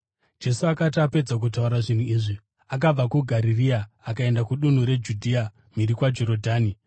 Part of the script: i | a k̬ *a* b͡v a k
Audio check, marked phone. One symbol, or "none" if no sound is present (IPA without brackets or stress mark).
a